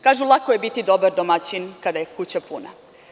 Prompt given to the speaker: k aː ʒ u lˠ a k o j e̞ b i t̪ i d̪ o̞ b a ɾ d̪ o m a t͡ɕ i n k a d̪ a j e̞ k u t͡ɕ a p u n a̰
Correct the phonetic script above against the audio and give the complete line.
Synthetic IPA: k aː ʒ u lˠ a k o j e̞ b i t̪ i d̪ o̞ b a ɾ d̪ o m a t͡ɕ i n k a d̪ a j e̞ k u t͡ɕ a p u n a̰

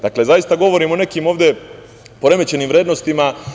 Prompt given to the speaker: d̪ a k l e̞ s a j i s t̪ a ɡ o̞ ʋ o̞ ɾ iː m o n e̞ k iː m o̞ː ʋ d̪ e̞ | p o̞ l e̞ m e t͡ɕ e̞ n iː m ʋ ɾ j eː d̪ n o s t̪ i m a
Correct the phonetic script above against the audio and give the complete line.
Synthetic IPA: d̪ a k l e̞ z a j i s t̪ a ɡ o̞ ʋ o̞ ɾ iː m o n e̞ k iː m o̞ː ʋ d̪ e̞ | p o̞ ɾ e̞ m e t͡ɕ e̞ n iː m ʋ ɾ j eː d̪ n o s t̪ i m a

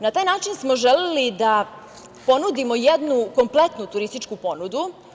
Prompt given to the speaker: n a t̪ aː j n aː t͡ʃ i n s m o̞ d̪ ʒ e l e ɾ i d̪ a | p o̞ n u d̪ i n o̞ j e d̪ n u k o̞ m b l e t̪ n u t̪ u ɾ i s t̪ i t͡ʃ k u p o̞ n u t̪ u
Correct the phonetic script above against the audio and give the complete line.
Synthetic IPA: n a t̪ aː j n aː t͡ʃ i n s m o̞ ʒ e l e l i d̪ a | p o̞ n u d̪ i m o̞ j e d̪ n u k o̞ m p l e t̪ n u t̪ u ɾ i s t̪ i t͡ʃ k u p o̞ n u d̪ u

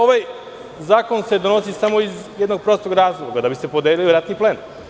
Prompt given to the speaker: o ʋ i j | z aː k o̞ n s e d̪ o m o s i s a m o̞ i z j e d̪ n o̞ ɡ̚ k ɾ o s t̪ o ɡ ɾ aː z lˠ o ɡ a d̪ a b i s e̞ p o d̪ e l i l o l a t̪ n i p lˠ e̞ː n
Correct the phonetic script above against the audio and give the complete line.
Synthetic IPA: o ʋ a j | z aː k o̞ n s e d̪ o n o s i s a m o̞ i z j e d̪ n o̞ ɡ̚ p ɾ o s t̪ o ɡ ɾ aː z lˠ o ɡ a d̪ a b i s e̞ p o d̪ e l i l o ɾ a t̪ n i p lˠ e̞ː n

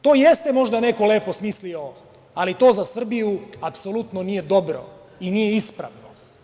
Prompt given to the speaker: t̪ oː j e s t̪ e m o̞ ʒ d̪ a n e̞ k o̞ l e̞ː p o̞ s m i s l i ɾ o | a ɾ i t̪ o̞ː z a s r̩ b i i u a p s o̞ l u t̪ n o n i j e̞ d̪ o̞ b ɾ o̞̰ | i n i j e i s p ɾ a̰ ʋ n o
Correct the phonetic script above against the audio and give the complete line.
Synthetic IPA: t̪ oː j e s t̪ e m o̞ ʒ d̪ a n e̞ k o̞ l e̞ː p o̞ s m i s l i o | a l i t̪ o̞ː z a s r̩ b i j u a p s o̞ l u t̪ n o n i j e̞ d̪ o̞ b ɾ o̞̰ | i n i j e i s p ɾ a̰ ʋ n o

